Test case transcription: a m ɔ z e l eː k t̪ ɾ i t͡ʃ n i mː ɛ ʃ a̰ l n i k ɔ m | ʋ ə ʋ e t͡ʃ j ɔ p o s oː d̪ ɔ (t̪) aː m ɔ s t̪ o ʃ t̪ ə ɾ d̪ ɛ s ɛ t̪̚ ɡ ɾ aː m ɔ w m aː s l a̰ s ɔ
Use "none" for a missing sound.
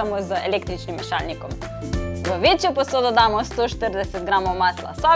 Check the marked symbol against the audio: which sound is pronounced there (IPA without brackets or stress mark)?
d̪